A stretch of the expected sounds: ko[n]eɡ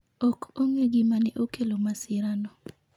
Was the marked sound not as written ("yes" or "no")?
yes